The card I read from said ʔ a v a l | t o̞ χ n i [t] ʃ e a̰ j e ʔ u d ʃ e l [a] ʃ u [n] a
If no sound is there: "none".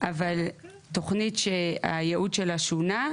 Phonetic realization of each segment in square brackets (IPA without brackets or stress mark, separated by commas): t, a, n